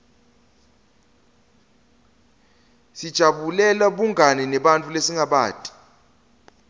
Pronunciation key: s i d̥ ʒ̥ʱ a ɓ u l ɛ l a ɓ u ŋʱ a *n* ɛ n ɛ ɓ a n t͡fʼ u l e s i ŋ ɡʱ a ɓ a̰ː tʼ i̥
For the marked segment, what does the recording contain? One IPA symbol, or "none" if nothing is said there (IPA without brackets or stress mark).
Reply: n